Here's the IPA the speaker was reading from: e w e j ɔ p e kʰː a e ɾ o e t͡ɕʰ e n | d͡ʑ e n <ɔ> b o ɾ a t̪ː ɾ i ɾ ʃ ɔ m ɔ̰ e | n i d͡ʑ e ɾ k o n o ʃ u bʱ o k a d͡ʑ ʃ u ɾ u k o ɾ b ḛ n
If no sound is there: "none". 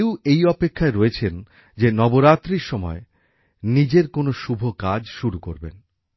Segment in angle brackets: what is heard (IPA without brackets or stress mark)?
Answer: ɔ